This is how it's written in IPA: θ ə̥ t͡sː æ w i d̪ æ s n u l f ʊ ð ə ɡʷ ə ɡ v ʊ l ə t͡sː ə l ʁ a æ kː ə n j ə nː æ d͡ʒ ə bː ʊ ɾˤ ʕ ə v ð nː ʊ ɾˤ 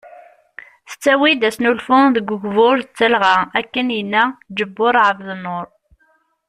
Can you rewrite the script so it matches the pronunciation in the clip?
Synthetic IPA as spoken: θ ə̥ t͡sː æ w i d̪ æ s n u l f ʊ ð ə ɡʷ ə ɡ v ʊ ɾ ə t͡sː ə l ʁ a æ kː ə n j ə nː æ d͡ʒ ə bː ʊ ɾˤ ʕ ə v ð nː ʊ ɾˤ